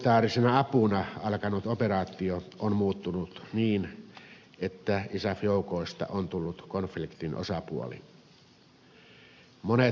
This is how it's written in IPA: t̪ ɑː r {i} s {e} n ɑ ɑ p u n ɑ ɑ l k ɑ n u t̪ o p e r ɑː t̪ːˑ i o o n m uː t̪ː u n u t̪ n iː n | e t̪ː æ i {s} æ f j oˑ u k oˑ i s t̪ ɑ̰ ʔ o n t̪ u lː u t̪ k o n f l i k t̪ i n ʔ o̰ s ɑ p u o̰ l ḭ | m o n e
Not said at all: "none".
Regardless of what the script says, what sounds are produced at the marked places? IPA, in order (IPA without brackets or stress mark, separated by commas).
i, e, s